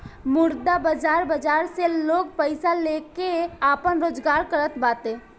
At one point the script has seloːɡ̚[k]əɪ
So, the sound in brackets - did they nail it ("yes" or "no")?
no